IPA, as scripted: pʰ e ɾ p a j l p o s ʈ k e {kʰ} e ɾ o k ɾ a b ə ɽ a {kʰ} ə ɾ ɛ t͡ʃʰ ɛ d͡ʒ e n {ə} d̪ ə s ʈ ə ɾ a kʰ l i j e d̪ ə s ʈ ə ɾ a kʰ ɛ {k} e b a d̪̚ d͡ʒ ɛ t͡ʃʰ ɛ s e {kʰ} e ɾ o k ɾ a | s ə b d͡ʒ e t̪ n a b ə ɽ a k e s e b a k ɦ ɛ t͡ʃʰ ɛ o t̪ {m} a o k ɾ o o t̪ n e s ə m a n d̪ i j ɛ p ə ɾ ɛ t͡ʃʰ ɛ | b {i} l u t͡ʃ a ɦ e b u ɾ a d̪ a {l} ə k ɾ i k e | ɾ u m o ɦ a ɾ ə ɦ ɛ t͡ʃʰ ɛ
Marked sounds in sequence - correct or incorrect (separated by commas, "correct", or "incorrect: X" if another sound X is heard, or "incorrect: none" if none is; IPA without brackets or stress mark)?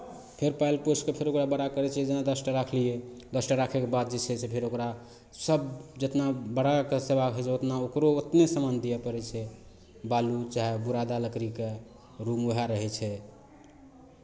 incorrect: pʰ, incorrect: k, incorrect: a, correct, incorrect: pʰ, incorrect: n, incorrect: a, correct